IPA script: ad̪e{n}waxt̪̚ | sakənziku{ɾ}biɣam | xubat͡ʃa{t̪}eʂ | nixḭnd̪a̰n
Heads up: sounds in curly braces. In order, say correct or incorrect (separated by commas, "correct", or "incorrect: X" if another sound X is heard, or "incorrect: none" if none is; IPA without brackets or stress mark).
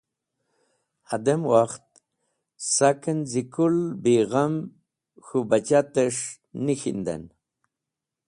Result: incorrect: m, incorrect: l, correct